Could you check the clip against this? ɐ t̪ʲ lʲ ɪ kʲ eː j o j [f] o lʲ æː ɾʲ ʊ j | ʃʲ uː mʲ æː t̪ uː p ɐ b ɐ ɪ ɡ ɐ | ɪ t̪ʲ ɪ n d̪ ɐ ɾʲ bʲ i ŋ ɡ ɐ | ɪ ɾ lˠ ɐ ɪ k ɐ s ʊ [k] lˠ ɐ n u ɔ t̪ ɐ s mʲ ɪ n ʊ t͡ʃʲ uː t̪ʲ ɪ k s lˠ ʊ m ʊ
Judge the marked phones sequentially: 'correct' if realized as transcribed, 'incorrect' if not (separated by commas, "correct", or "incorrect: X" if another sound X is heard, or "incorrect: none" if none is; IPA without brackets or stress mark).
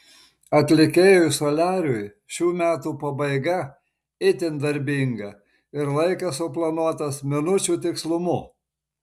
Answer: incorrect: s, incorrect: p